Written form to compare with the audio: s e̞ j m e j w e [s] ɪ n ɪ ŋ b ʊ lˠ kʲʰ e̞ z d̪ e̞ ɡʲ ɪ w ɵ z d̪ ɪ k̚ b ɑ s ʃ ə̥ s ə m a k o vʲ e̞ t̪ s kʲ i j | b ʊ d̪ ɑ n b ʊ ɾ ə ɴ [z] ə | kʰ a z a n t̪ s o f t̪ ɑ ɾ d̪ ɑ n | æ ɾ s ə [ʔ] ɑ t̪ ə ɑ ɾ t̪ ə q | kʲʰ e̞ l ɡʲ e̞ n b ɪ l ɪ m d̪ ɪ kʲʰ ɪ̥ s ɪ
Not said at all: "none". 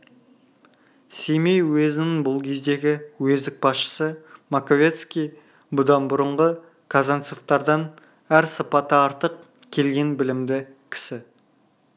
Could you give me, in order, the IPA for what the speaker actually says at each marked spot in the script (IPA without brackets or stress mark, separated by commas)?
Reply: z, ʁ, p